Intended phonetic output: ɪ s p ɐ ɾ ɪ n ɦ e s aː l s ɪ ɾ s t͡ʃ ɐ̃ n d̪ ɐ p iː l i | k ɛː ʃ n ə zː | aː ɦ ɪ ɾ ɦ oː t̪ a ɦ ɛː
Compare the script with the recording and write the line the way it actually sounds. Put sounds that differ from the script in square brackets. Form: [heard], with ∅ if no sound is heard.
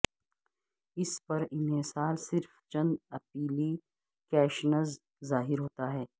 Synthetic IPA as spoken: ɪ s p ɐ ɾ ɪ n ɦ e s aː l s ɪ ɾ [f] t͡ʃ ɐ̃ n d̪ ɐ p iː l i | k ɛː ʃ n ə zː | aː ɦ ɪ ɾ ɦ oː t̪ a ɦ ɛː